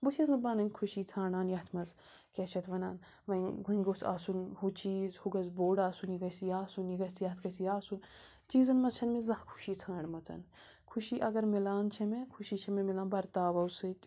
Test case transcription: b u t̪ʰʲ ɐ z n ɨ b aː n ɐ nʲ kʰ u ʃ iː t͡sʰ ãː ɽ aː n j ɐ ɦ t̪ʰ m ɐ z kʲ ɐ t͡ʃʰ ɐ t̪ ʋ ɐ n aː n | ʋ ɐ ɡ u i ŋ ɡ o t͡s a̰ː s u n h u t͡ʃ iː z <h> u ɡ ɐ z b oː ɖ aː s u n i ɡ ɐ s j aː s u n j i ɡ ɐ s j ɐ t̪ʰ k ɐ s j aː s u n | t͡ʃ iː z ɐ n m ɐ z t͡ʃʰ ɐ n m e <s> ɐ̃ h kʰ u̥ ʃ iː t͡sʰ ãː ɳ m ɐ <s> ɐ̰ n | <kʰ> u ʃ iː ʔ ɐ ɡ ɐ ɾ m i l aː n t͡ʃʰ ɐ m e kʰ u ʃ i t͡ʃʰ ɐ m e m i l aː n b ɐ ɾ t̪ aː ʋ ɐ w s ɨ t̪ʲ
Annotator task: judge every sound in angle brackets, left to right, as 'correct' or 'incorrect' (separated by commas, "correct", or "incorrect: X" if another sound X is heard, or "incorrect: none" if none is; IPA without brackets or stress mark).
correct, incorrect: z, incorrect: t͡s, correct